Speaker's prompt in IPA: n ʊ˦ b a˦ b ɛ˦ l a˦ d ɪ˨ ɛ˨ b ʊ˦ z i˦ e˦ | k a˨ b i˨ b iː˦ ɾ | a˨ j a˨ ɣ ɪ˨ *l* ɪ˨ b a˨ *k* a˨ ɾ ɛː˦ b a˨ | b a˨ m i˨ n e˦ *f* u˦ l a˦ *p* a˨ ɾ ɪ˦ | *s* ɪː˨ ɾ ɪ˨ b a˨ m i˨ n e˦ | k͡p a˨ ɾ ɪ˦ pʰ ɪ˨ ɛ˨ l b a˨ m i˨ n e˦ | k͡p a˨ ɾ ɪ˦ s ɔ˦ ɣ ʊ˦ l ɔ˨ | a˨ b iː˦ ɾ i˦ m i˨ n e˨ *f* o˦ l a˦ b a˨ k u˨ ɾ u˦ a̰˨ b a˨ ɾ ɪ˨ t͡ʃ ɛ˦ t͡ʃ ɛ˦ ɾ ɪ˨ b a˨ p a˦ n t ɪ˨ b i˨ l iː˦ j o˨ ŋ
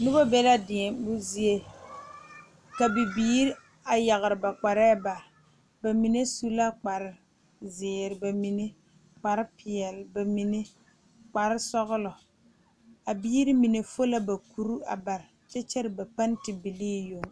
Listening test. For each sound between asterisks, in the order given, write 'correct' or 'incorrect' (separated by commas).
incorrect, incorrect, incorrect, incorrect, incorrect, correct